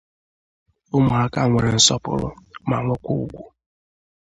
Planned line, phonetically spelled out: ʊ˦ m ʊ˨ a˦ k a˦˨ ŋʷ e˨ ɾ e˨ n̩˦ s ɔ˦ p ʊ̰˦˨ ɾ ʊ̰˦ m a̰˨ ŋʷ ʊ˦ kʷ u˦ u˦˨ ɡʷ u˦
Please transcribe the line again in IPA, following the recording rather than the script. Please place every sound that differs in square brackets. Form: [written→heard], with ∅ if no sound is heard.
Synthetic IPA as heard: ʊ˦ m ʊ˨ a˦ k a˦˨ ŋʷ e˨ ɾ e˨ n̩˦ s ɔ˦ p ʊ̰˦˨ ɾ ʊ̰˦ m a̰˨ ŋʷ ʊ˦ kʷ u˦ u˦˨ ɡʷ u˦